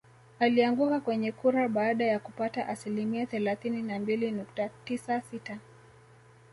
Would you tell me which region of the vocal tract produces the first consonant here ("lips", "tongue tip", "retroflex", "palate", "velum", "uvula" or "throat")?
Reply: tongue tip